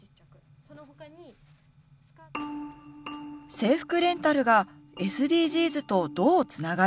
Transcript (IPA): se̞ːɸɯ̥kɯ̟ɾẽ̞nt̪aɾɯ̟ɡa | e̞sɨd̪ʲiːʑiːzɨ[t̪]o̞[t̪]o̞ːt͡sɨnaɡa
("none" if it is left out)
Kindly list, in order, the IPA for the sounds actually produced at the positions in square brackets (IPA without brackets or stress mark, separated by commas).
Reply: t̪, d̪